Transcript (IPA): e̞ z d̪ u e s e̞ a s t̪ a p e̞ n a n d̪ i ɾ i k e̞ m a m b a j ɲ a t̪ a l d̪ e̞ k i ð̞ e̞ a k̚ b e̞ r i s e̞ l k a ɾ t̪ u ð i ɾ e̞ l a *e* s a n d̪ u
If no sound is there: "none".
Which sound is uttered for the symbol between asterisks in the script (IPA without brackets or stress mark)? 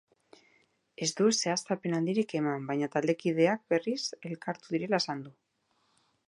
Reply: e